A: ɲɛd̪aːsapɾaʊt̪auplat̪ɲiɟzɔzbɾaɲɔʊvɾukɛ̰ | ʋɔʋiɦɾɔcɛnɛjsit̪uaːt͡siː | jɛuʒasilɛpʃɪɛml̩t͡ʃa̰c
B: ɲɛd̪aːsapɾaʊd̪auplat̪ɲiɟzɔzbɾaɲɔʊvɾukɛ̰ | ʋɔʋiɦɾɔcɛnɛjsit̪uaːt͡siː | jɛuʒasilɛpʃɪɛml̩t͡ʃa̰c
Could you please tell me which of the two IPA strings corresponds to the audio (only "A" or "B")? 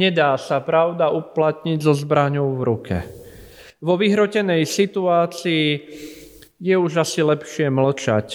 B